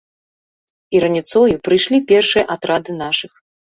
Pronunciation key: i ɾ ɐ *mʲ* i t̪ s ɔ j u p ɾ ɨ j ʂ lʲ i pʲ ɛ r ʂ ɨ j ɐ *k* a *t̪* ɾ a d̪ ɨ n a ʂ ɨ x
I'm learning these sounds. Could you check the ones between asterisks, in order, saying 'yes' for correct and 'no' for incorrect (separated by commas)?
no, no, yes